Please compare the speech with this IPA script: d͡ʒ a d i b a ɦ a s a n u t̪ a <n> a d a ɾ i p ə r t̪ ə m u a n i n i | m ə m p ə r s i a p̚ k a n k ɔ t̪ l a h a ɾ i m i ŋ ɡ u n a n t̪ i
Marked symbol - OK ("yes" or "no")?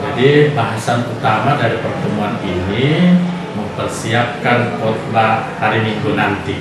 no